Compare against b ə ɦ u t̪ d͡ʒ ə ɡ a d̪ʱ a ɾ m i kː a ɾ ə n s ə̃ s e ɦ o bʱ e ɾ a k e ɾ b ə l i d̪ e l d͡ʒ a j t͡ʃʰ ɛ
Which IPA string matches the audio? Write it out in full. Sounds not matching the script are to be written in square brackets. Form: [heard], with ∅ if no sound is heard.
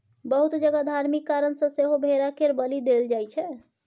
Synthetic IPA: b ə ɦ u t̪ d͡ʒ ə ɡ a d̪ʱ a ɾ m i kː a ɾ ə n s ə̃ s e ɦ o bʱ e ɾ a k e ɾ b ə l i d̪ e l d͡ʒ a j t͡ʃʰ ɛ